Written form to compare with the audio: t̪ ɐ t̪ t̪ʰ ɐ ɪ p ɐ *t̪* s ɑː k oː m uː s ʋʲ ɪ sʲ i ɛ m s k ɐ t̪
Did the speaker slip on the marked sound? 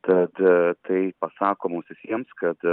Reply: yes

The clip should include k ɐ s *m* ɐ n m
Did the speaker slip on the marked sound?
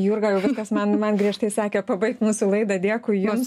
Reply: no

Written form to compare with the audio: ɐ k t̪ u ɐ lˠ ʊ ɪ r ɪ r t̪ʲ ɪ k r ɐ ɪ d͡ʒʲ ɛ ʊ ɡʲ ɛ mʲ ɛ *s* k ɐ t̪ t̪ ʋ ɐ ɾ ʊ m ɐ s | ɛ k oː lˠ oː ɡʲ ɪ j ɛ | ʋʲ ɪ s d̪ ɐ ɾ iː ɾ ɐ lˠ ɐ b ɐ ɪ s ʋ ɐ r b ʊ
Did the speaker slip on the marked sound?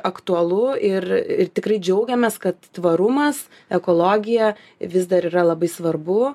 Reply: no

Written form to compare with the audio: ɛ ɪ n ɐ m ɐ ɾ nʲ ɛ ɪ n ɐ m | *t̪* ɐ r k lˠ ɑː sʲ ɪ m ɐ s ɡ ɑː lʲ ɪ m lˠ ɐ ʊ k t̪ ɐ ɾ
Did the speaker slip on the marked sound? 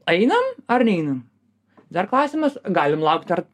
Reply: yes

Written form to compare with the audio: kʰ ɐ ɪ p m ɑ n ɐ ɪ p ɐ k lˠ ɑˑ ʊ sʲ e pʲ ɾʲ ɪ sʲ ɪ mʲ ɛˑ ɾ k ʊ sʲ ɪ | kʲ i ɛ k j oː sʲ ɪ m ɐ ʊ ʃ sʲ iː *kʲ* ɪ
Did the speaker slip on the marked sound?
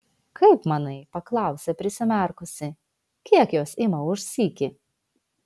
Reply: no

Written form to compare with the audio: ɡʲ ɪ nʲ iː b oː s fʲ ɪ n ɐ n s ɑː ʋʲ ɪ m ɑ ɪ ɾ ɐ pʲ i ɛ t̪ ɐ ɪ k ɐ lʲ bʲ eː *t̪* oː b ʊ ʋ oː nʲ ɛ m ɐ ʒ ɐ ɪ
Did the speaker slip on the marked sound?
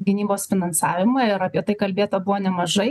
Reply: no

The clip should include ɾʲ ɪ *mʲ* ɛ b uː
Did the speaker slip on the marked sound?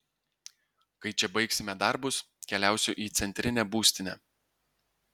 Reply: yes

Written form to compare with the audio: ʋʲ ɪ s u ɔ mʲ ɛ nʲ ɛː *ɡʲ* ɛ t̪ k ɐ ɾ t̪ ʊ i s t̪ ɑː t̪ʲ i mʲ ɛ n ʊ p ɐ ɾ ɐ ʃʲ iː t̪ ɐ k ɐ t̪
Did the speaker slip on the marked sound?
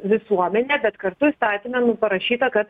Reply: yes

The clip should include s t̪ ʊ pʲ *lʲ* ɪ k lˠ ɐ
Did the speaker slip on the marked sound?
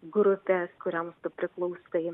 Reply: yes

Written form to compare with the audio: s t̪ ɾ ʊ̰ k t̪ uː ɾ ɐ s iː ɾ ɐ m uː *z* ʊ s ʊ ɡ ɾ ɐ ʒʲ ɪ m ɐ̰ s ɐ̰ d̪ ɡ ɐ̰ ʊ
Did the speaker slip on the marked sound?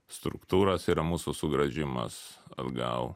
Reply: yes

